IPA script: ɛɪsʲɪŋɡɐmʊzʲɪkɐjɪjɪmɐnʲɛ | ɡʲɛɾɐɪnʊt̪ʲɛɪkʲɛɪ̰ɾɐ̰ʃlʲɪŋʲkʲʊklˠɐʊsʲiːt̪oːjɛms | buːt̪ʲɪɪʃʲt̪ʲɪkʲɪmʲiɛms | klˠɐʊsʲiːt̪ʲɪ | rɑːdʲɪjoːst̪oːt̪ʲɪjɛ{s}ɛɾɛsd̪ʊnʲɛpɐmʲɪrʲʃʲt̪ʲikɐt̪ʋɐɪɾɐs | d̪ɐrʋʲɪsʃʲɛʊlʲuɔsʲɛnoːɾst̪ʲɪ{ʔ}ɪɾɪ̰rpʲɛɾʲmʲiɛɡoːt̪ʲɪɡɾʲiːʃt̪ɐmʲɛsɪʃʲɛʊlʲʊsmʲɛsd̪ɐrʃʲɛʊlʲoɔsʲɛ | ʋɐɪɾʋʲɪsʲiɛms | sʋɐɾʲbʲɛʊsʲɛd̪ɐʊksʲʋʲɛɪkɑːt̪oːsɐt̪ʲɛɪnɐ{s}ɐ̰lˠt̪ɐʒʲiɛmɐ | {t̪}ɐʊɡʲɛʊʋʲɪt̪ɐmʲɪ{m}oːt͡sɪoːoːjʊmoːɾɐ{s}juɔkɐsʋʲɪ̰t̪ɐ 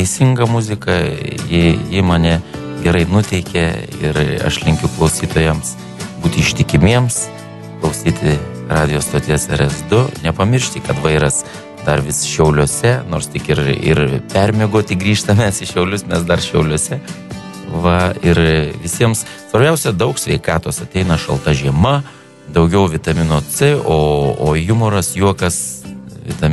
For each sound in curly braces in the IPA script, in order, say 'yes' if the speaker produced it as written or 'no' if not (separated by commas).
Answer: yes, no, no, no, no, yes